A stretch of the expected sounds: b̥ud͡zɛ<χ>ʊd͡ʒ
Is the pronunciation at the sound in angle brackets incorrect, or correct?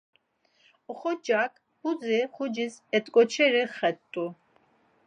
correct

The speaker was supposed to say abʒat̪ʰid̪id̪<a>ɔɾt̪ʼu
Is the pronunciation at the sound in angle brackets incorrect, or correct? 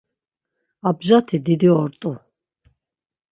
incorrect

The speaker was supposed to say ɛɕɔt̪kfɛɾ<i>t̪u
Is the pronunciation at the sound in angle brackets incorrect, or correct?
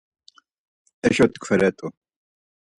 incorrect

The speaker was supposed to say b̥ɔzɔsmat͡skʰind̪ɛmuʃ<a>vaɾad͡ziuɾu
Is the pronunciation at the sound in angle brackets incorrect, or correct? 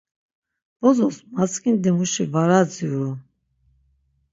incorrect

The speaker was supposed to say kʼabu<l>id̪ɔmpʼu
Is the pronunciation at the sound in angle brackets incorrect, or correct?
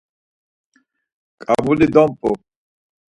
correct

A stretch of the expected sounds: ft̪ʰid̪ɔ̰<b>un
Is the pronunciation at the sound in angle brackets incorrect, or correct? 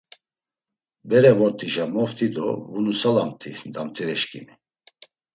incorrect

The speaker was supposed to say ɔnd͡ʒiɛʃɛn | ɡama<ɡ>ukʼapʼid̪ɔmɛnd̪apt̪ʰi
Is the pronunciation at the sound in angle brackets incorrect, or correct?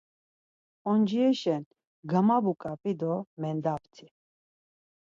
incorrect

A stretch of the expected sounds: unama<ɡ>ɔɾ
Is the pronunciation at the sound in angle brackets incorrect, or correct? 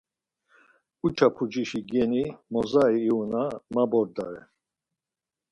incorrect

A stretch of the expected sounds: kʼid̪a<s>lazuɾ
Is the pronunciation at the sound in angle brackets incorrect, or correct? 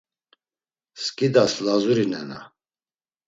correct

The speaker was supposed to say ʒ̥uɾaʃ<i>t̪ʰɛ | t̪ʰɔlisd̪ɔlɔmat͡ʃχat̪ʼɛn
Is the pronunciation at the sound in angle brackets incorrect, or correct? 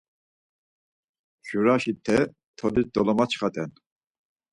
correct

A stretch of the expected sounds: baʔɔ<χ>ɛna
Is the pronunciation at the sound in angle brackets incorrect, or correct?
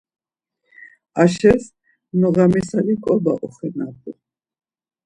correct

